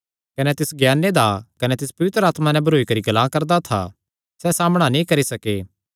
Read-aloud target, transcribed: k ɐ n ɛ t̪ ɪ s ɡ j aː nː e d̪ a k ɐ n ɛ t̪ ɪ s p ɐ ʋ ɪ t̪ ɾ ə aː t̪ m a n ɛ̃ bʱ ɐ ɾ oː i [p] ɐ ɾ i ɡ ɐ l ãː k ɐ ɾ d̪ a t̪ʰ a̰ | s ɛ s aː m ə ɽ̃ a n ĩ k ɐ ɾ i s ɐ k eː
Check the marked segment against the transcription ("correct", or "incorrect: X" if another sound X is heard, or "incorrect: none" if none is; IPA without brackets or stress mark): incorrect: k